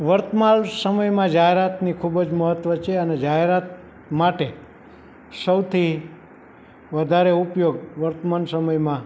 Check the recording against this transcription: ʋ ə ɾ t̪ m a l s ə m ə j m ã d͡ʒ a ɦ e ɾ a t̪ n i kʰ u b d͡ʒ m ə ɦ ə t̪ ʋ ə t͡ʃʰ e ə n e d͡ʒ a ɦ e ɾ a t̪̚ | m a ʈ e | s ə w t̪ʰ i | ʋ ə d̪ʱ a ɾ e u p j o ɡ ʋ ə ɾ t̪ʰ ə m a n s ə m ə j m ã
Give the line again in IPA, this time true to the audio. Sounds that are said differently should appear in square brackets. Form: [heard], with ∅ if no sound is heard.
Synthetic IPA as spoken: ʋ ə ɾ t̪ m a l s ə m ə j m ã d͡ʒ a ɦ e ɾ a t̪ n i kʰ u b d͡ʒ m ə ɦ ə t̪ ʋ ə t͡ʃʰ e ə n e d͡ʒ a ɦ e ɾ a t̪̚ | m a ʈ e | s ə w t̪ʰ i | ʋ ə d̪ʱ a ɾ e u p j o ɡ ʋ ə ɾ [t̪] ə m a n s ə m ə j m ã